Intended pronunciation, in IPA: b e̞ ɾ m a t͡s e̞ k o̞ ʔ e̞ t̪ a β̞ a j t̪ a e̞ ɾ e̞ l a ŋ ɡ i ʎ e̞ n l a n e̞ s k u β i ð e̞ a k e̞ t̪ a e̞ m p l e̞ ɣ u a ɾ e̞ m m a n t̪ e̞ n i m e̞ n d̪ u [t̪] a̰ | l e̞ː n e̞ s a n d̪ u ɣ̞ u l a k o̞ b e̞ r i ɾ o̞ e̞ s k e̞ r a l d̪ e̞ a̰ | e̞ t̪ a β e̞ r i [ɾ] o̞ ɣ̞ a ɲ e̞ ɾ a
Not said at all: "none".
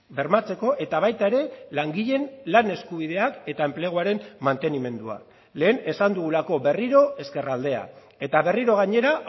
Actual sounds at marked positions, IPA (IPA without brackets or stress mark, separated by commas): none, ɾ